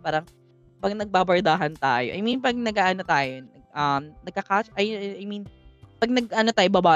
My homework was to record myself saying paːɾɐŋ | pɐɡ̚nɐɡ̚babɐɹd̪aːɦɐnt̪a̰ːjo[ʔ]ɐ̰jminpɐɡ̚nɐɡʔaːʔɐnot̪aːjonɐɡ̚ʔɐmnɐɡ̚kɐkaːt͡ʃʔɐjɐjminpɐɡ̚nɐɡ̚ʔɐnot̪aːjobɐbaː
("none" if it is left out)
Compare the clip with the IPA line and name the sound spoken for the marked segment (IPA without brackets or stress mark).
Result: ʔ